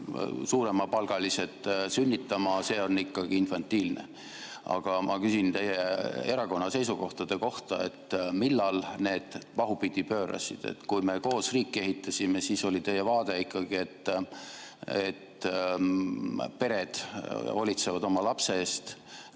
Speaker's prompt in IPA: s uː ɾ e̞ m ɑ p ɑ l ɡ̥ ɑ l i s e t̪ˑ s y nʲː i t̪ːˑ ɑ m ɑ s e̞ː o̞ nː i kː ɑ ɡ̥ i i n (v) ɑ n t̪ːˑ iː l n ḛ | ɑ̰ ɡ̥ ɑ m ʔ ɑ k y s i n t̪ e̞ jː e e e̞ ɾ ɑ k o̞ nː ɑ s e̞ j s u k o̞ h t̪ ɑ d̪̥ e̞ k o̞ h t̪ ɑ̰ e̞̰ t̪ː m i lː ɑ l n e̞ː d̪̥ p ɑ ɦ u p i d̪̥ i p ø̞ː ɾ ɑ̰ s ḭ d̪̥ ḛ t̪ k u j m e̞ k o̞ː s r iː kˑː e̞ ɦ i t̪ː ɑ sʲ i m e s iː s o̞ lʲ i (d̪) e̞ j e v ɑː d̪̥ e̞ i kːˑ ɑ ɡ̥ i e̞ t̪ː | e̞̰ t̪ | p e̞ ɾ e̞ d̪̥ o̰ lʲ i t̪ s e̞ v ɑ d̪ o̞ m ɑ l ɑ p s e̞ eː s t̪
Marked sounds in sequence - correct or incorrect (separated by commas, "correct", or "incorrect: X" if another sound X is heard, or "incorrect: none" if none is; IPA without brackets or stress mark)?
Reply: incorrect: f, incorrect: t̪